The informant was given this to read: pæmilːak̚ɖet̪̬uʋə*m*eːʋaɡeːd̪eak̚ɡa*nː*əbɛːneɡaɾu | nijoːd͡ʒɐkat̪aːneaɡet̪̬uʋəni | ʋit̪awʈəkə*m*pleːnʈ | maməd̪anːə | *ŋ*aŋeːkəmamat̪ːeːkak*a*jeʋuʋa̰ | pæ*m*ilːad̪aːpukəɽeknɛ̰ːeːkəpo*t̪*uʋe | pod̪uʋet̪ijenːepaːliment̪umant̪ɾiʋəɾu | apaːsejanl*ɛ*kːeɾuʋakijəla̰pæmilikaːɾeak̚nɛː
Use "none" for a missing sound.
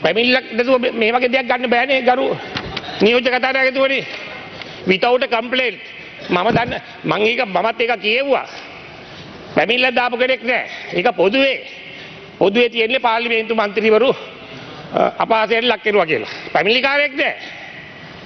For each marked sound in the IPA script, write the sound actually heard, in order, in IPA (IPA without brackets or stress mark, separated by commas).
m, nː, m, m, i, m, d̪, a